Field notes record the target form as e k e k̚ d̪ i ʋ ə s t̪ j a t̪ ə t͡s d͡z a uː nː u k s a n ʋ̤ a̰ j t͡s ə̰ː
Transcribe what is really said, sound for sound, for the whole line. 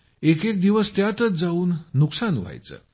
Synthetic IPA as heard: e k e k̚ d̪ i ʋ ə s t̪ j a t̪ ə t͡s d͡z a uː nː u k s a n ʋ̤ a̰ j t͡s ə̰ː

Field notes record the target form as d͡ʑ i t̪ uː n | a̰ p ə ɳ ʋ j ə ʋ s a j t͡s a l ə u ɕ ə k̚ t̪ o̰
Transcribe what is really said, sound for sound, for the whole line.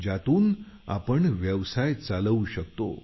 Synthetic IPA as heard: d͡ʑ a t̪ uː n | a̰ p ə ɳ ʋ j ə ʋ s a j t͡s a l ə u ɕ ə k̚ t̪ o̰

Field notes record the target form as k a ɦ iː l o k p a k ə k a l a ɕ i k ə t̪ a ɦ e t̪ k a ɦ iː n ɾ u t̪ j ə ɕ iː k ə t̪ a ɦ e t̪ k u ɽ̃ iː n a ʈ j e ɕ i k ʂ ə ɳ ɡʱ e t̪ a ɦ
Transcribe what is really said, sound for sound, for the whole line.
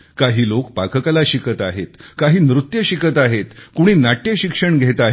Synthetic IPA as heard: k a ɦ iː l o k p a k ə k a l a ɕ i k ə t̪ a ɦ e t̪ k a ɦ iː n ɾ u t̪ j ə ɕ i k ə t̪ a ɦ e t̪ k u ɽ̃ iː n a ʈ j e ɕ i k ʂ ə ɳ ɡʱ e t̪ a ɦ

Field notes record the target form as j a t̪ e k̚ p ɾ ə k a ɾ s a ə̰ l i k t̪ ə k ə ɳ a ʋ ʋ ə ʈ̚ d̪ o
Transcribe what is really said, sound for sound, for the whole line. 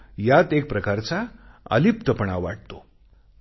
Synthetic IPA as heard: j a t̪ e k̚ p ɾ ə k a ɾ t͡s a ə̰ l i p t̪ ə p ə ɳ a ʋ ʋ a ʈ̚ t̪ o

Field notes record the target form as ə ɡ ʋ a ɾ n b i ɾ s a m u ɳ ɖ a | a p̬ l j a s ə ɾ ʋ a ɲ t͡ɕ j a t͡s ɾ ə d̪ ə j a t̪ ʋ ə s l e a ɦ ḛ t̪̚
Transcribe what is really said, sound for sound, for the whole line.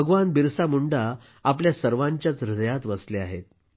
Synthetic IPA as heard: ə ɡ ʋ a n b i ɾ s a m u ɳ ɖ a | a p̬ l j a s ə ɾ ʋ a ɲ t͡ɕ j a t͡s ɾ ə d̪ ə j a t̪ ʋ ə s l e a ɦ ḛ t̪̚

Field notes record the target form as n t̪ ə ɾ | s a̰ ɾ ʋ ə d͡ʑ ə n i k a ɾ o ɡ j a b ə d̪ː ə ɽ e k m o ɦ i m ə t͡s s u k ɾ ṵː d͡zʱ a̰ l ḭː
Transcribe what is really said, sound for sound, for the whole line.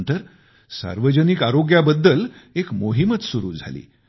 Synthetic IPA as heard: n t̪ ə ɾ | s a̰ ɾ ʋ ə d͡ʑ ə n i k a ɾ o ɡ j a b ə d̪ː ə l e k m o ɦ i m ə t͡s s u ɾ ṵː d͡zʱ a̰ l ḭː

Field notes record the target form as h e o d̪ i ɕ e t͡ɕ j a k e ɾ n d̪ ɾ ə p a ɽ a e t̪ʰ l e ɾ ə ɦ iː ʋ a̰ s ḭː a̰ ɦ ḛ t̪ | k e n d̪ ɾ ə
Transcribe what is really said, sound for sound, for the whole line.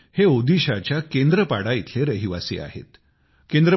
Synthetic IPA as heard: h e o d̪ i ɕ a t͡ɕ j a k e n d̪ ɾ ə p a ɽ a i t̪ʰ l e ɾ ə ɦ i ʋ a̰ s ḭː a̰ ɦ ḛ t̪ | k e n d̪ ɾ ə

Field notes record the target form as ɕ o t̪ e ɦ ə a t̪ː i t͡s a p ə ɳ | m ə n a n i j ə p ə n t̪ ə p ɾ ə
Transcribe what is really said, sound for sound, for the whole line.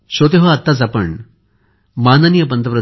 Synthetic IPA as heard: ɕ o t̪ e ɦ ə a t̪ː a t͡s a p ə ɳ | m a n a n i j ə p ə n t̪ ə p ɾ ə

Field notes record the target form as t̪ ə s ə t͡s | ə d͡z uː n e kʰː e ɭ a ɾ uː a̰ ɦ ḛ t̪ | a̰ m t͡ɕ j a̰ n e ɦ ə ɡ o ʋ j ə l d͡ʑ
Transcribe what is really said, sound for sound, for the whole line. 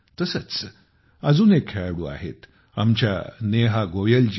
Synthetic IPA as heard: t̪ ə s ə t͡s | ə d͡z uː n e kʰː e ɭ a ɽ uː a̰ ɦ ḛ t̪ | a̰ m t͡ɕ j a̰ n e ɦ a ɡ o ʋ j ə l d͡ʑ

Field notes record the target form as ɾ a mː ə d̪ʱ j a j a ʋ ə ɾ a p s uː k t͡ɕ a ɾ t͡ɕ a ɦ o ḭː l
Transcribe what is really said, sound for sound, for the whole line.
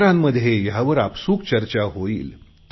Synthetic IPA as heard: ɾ a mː ə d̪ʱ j e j a ʋ ə ɾ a p s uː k t͡ɕ ə ɾ t͡ɕ a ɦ o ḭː l

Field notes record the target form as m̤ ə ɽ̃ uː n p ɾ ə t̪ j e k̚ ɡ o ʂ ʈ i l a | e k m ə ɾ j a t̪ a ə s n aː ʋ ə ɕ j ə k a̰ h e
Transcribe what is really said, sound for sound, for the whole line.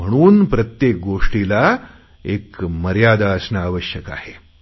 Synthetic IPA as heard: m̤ ə ɽ̃ uː n p ɾ ə t̪ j e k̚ ɡ o ʂ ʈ i l a | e k m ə ɾ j a d̪ a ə s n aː ʋ ə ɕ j ə k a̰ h e

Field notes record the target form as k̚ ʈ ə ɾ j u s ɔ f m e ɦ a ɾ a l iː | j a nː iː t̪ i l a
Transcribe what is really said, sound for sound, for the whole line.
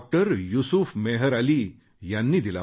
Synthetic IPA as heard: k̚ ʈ ə ɾ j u s u f m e ɦ ə ɾ a l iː | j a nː iː d̪ i l a

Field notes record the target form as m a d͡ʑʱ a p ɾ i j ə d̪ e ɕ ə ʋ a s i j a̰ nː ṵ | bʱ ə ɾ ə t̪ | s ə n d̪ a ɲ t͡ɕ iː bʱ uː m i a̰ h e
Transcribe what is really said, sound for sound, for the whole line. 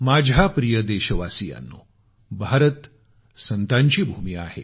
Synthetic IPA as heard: m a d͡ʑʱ a p ɾ i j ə d̪ e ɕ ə ʋ a s i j a̰ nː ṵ | bʱ a ɾ ə t̪ | s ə n t̪ a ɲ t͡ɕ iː bʱ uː m i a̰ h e

